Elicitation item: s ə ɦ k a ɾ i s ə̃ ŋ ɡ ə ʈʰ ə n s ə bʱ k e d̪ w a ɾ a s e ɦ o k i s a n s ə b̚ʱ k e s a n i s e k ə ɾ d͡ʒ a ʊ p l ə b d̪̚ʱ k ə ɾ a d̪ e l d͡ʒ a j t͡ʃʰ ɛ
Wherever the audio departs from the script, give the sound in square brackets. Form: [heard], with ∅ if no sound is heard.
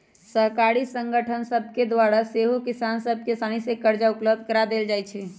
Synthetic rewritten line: s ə ɦ k a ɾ i s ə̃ ŋ ɡ ə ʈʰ ə n s ə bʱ k e d̪ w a ɾ a s e ɦ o k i s a n s ə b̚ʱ k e s a n i s e k ə ɾ d͡ʒ a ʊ p l ə b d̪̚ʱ k ə ɾ a d̪ e l d͡ʒ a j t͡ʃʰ ɛ